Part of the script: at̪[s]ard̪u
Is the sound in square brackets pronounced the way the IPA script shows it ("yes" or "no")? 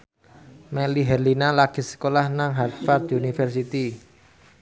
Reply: no